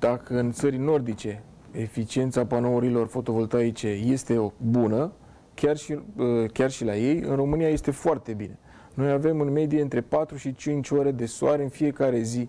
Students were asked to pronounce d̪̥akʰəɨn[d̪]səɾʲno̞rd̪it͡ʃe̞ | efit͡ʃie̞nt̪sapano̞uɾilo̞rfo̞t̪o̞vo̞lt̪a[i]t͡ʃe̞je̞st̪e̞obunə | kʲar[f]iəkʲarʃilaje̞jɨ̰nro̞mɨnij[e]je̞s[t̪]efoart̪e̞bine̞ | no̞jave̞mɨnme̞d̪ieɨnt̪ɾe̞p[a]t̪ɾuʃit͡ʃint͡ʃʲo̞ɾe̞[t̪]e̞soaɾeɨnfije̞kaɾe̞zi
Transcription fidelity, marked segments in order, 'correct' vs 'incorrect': incorrect: t̪, correct, incorrect: ʃ, incorrect: a, correct, correct, incorrect: d̪

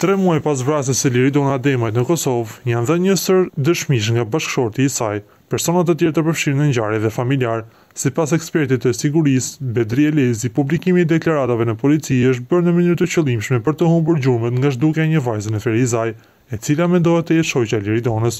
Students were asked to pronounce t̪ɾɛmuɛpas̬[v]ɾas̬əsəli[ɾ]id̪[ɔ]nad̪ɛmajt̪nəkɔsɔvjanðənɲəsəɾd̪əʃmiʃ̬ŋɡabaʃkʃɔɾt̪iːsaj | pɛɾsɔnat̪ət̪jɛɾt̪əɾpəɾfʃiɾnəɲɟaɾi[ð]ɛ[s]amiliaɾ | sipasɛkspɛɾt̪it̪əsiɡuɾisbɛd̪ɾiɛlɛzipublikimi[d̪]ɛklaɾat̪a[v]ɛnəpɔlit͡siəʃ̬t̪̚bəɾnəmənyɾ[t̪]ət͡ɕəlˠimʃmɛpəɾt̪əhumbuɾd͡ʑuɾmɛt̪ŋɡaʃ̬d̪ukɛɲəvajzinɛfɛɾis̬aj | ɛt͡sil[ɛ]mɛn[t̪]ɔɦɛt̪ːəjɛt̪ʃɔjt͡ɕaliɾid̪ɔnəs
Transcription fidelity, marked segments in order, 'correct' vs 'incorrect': correct, correct, correct, correct, incorrect: f, correct, correct, correct, incorrect: a, incorrect: d̪

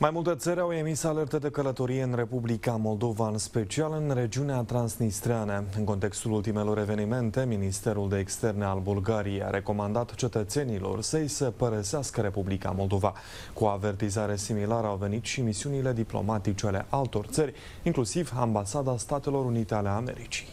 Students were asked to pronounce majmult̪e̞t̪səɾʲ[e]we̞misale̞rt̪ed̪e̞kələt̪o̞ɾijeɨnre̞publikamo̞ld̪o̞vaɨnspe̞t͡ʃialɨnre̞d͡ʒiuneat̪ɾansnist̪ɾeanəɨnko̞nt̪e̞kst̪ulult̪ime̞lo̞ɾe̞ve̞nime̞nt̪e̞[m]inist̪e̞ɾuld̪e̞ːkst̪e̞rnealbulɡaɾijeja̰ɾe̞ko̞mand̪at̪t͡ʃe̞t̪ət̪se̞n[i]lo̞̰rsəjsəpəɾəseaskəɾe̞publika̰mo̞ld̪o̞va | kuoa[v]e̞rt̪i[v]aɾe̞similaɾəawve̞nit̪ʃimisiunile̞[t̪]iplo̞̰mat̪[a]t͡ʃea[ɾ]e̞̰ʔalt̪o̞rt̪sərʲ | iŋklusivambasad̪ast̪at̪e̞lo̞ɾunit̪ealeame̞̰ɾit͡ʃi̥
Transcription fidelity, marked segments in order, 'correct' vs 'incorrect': incorrect: a, correct, correct, correct, incorrect: z, incorrect: d̪, incorrect: i, incorrect: l

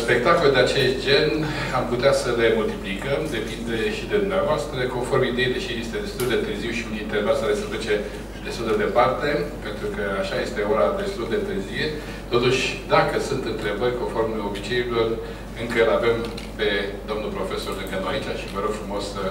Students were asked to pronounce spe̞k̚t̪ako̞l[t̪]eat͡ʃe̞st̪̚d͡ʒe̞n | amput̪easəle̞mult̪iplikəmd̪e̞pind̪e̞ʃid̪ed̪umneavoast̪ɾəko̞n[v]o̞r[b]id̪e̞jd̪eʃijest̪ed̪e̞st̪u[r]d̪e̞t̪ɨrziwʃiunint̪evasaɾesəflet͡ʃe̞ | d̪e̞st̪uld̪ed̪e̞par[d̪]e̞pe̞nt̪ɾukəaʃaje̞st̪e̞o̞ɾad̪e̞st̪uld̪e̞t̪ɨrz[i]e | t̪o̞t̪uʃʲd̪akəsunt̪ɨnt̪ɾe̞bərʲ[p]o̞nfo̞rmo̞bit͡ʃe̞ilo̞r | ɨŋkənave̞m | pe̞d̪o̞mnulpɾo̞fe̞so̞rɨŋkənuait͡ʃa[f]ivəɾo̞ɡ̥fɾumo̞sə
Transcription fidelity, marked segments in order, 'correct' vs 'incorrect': incorrect: d̪, incorrect: f, incorrect: m, incorrect: l, incorrect: t̪, correct, incorrect: k, incorrect: ʃ

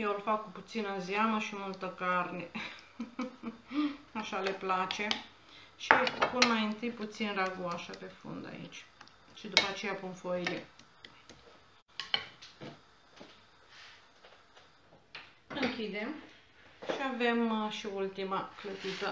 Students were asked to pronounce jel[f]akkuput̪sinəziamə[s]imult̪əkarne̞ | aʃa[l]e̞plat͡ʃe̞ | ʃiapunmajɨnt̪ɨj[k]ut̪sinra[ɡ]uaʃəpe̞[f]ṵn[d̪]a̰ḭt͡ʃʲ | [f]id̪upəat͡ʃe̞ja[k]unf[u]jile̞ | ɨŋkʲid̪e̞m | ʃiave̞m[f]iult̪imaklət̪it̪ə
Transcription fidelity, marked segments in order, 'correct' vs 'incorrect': correct, incorrect: ʃ, correct, incorrect: p, correct, correct, correct, incorrect: ʃ, incorrect: p, incorrect: o, incorrect: ʃ

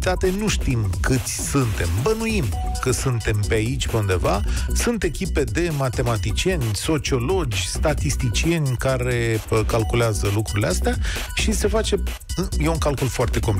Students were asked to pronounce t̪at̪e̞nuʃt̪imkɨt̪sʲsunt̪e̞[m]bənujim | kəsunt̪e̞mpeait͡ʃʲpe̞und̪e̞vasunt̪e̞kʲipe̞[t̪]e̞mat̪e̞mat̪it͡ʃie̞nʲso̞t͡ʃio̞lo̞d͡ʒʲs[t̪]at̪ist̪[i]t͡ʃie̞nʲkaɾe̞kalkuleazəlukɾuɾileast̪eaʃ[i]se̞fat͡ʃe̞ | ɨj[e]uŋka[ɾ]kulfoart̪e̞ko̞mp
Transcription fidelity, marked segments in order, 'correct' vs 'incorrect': correct, incorrect: d̪, correct, correct, correct, correct, incorrect: l

